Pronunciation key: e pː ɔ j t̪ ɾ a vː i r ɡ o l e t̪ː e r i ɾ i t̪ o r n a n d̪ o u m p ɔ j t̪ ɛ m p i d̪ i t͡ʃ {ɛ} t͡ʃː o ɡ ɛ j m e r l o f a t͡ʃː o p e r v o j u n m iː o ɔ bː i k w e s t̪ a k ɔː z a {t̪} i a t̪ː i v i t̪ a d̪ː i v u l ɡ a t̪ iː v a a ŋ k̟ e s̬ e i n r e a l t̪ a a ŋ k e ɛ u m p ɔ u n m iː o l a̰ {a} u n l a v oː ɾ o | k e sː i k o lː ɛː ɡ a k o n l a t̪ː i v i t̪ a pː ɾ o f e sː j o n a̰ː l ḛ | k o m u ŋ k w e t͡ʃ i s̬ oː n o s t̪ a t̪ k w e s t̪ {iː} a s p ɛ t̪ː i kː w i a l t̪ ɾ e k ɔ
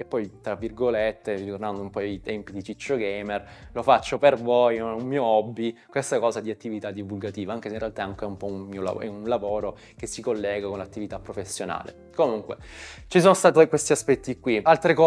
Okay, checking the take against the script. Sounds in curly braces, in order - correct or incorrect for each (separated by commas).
incorrect, incorrect, incorrect, incorrect